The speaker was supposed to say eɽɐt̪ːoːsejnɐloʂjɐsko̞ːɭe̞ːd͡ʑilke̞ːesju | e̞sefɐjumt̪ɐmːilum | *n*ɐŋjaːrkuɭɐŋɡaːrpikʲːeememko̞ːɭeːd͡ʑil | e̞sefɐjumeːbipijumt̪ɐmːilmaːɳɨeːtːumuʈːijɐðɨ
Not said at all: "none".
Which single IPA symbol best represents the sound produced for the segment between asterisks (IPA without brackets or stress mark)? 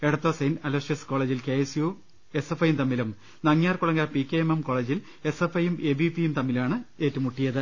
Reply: n